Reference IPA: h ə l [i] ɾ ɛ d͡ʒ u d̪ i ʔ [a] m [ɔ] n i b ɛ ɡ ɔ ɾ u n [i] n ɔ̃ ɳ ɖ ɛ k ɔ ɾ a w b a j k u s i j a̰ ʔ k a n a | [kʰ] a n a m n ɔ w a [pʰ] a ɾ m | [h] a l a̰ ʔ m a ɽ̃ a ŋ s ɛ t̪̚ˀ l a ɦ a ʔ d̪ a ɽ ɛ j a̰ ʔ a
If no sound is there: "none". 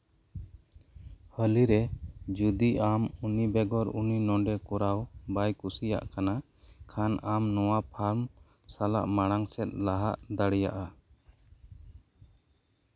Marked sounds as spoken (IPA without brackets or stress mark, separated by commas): i, a, u, i, kʰ, pʰ, s